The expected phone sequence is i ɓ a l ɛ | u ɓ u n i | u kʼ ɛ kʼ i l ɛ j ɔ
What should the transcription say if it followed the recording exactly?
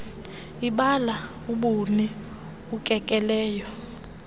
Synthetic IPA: i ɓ a l a | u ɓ u n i | u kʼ ɛ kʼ ɛ l ɛː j ɔ